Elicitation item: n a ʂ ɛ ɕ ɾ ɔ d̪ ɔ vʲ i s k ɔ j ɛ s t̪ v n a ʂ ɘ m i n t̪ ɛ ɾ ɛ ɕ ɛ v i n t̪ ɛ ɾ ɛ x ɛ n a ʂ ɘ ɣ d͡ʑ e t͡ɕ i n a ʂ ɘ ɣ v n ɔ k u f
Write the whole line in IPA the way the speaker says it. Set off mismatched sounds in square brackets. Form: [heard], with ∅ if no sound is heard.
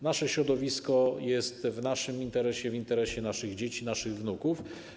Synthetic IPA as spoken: n a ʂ ɛ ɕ ɾ ɔ d̪ ɔ vʲ i s k ɔ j ɛ s t̪ v n a ʂ ɘ m i n t̪ ɛ ɾ ɛ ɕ ɛ v i n t̪ ɛ ɾ ɛ [ɕ] ɛ n a ʂ ɘ ɣ d͡ʑ e t͡ɕ i n a ʂ ɘ ɣ v n [u] k u f